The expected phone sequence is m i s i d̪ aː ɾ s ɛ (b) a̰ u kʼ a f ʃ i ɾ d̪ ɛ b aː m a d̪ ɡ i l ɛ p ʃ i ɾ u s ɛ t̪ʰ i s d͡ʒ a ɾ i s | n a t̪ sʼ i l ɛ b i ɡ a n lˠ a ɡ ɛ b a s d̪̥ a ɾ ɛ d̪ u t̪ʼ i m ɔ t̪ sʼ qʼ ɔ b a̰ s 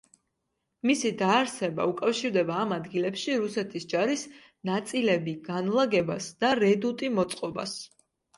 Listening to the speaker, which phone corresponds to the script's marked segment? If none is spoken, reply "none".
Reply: b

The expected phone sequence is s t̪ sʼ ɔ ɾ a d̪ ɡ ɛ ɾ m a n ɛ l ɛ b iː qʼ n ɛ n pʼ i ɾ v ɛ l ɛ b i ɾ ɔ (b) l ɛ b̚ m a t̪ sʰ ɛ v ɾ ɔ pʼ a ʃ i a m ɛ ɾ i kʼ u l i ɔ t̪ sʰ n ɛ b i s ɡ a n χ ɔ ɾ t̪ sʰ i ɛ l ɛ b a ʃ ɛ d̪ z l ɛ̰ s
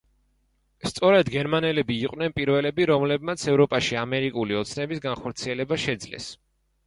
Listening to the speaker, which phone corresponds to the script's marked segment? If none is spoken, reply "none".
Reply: m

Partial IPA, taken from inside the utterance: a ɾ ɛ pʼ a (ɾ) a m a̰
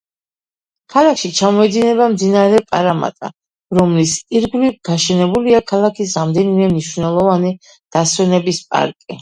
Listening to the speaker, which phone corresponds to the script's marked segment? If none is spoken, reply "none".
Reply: ɾ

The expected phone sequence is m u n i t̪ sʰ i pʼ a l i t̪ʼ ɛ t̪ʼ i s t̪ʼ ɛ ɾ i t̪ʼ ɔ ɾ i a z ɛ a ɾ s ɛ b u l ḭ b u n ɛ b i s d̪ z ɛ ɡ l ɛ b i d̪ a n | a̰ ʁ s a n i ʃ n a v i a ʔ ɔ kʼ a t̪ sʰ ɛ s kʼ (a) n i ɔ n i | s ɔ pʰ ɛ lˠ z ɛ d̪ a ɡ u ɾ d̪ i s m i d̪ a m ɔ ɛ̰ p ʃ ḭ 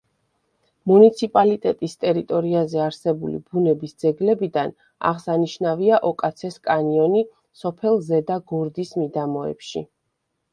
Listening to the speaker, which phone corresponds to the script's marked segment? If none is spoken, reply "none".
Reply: a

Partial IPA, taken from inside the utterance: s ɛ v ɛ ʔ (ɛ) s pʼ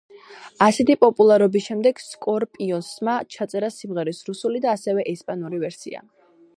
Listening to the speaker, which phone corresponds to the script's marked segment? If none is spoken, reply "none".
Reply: ɛ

